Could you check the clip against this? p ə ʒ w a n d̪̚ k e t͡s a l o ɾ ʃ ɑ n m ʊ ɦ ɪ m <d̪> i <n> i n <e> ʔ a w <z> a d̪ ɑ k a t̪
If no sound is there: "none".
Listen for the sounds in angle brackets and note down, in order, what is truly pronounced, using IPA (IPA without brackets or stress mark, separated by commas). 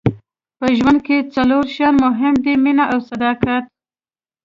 d̪, m, a, s